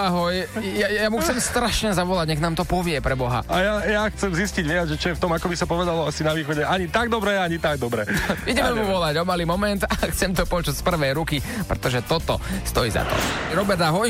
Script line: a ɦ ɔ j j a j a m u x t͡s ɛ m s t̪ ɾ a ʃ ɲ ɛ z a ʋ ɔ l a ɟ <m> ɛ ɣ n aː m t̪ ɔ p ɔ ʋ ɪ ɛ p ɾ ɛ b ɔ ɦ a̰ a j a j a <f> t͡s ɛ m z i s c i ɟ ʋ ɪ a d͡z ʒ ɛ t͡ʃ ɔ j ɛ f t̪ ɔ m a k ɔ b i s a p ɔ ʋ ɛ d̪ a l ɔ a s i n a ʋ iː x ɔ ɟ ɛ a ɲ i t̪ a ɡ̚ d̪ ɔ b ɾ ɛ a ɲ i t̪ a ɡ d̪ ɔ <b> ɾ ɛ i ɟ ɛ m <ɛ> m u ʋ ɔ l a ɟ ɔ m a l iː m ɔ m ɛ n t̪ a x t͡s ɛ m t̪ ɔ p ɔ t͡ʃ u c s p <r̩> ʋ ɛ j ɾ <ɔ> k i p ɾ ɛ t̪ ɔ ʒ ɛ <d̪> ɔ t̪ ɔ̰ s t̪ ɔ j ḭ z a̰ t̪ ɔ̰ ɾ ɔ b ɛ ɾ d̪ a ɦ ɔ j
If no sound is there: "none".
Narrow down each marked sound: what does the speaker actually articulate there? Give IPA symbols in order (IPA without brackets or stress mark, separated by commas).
ɲ, x, b, ɛ, r̩, u, t̪